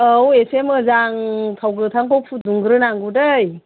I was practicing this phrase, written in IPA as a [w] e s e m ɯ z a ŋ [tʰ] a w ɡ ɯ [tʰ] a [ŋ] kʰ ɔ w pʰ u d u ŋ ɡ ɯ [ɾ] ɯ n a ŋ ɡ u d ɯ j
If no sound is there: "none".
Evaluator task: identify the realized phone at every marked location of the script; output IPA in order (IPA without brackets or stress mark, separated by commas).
w, tʰ, tʰ, ŋ, ɾ